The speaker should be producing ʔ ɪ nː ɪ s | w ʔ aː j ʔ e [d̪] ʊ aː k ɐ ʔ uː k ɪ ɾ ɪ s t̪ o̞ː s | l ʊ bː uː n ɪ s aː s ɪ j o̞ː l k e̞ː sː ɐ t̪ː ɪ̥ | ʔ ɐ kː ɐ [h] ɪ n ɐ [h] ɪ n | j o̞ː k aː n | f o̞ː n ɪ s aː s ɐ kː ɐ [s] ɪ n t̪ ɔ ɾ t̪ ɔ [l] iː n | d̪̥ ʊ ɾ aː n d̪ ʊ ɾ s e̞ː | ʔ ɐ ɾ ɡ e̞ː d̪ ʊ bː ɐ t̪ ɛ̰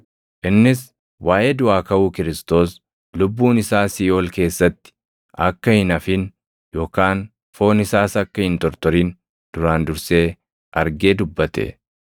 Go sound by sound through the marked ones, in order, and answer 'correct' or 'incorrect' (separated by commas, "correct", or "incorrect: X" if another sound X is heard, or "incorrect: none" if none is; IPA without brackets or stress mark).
correct, correct, incorrect: f, incorrect: h, incorrect: ɾ